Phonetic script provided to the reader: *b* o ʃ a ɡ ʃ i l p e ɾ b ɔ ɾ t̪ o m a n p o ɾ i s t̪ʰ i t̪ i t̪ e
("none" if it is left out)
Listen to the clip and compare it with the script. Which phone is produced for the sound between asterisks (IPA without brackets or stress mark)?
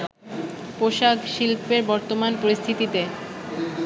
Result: p